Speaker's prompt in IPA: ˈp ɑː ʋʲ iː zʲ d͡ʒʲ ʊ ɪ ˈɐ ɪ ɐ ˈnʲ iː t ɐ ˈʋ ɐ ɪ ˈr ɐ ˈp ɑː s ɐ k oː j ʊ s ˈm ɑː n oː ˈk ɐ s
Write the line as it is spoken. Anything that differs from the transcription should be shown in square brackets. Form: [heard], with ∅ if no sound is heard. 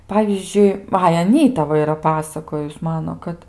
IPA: ˈp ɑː ʋʲ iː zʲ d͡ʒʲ ʊ ɪ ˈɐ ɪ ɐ ˈnʲ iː t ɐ ˈʋ ɐ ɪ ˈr ɐ ˈp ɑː s ɐ k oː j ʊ s ˈm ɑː n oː ˈk ɐ [t]

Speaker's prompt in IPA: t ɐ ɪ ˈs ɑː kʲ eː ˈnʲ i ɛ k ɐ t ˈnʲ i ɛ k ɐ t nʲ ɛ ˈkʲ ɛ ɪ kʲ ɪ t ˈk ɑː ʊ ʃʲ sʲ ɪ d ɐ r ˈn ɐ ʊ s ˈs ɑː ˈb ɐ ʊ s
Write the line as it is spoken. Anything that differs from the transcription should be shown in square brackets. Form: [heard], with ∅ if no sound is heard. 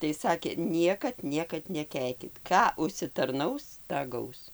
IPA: t ɐ ɪ ˈs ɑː kʲ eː ˈnʲ i ɛ k ɐ t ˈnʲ i ɛ k ɐ t nʲ ɛ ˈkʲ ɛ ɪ kʲ ɪ t ˈk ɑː ʊ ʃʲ sʲ ɪ [t] ɐ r ˈn ɐ ʊ s [ˈt] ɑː [ˈɡ] ɐ ʊ s

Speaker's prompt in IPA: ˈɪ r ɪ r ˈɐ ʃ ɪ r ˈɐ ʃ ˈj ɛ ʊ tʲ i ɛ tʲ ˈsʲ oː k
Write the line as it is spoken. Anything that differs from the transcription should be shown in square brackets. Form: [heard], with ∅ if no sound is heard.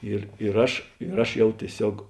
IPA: ˈɪ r ɪ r ˈɐ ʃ ɪ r ˈɐ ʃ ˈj ɛ ʊ tʲ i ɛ [∅] ˈsʲ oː k

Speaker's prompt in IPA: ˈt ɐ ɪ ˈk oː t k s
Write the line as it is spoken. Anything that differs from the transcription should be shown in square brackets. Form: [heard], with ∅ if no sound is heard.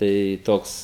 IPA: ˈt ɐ ɪ [ˈt] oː [∅] k s

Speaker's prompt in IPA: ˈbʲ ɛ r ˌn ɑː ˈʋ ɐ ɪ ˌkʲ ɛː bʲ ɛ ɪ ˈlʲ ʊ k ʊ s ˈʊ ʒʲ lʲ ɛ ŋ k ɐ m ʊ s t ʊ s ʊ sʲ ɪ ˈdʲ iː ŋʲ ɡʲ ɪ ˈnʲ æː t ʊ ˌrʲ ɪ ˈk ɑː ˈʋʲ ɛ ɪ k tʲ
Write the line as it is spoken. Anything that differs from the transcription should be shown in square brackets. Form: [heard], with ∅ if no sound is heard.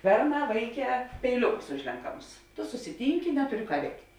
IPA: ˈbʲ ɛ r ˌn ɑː ˈʋ ɐ ɪ ˌkʲ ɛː [pʲ] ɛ ɪ ˈlʲ ʊ k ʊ s ˈʊ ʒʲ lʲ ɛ ŋ k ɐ m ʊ s t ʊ s ʊ sʲ ɪ [ˈtʲ] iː ŋʲ [kʲ] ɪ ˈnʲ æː t ʊ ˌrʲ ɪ ˈk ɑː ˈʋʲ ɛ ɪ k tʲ

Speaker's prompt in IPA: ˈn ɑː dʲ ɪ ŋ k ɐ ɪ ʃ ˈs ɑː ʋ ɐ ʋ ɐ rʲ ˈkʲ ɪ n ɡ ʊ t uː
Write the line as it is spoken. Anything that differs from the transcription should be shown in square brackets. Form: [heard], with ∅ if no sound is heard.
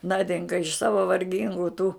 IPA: ˈn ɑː dʲ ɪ ŋ k ɐ ɪ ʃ ˈs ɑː ʋ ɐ ʋ ɐ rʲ [ˈɡʲ] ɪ [ŋ] ɡ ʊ t uː

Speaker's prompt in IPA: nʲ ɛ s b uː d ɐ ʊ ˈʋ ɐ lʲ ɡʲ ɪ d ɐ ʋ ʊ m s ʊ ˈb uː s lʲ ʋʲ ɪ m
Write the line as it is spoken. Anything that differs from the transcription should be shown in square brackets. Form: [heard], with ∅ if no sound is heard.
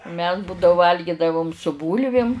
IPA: [mʲ] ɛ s b uː d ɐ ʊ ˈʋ ɐ lʲ ɡʲ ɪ d ɐ ʋ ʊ m s ʊ ˈb uː [∅] lʲ ʋʲ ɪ m

